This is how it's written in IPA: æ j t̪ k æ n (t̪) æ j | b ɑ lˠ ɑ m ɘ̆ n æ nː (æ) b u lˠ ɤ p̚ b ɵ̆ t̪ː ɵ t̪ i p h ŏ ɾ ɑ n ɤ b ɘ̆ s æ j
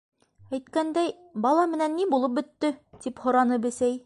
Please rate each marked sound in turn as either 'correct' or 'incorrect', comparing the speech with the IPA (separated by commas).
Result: incorrect, incorrect